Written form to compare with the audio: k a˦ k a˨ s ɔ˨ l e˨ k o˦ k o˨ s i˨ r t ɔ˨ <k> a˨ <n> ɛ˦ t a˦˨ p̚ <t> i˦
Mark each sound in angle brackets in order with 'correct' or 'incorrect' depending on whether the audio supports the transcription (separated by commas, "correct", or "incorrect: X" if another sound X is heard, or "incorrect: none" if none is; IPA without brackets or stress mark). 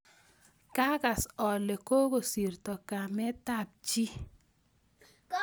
correct, incorrect: m, incorrect: t͡ʃ